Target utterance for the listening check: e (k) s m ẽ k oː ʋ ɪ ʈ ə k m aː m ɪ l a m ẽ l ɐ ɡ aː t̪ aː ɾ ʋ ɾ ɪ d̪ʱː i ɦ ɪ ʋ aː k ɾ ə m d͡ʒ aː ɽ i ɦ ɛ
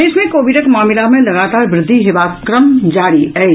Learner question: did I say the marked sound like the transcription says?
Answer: no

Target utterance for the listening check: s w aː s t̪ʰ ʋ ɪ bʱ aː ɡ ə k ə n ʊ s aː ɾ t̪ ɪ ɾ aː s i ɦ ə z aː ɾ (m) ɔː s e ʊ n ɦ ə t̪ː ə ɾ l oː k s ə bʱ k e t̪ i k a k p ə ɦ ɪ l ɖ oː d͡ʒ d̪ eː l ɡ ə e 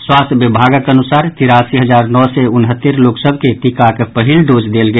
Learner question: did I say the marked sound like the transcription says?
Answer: no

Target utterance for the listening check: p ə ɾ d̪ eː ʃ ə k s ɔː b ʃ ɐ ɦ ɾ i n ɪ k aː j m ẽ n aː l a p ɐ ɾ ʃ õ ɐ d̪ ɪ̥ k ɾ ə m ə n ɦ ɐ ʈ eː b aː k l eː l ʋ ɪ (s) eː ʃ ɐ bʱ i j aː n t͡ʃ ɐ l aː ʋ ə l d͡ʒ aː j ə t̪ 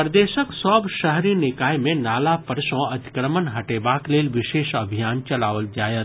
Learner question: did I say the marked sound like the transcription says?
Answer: no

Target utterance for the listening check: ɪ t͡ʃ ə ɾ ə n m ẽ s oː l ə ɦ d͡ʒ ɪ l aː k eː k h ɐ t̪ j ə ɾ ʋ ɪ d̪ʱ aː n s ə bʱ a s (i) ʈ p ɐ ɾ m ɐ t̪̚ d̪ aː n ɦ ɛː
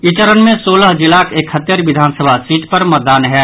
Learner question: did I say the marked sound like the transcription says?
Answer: no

